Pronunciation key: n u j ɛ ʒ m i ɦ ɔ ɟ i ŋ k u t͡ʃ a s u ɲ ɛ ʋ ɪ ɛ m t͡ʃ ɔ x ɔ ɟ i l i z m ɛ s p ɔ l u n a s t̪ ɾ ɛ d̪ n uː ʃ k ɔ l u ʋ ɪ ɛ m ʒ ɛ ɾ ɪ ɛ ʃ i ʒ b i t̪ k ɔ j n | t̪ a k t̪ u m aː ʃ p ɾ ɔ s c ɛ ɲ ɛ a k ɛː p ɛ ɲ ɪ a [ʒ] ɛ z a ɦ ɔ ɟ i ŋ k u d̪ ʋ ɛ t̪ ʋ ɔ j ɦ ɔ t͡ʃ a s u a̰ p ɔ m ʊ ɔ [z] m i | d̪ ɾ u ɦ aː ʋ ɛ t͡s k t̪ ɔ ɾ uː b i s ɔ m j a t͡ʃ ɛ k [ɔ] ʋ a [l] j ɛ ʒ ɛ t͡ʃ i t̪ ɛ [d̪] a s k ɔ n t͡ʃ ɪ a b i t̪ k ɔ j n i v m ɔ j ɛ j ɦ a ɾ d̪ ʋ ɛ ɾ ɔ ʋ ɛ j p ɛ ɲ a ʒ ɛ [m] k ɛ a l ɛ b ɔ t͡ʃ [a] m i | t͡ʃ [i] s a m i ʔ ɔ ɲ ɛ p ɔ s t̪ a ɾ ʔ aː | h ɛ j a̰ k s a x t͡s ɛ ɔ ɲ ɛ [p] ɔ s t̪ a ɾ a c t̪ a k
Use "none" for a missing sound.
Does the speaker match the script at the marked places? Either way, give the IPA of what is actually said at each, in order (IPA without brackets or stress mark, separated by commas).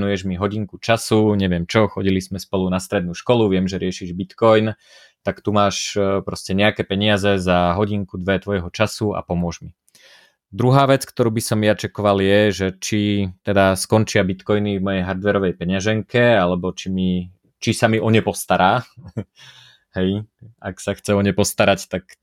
z, ʒ, ɔ, l, d̪, ŋ, i, i, p